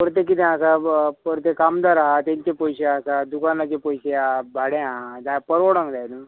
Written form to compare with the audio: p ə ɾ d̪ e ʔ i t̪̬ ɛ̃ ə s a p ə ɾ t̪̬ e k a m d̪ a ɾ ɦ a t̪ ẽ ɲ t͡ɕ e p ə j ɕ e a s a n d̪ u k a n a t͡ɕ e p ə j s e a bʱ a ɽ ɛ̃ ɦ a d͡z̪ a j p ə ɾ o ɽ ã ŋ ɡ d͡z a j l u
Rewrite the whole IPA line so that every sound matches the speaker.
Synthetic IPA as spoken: p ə ɾ t̪ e k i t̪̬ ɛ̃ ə s a p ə ɾ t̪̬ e k a m d̪ a ɾ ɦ a t̪ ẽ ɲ t͡ɕ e p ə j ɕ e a s a d̪ u k a n a t͡ɕ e p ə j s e a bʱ a ɽ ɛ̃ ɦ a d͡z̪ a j p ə ɾ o ɽ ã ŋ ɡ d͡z a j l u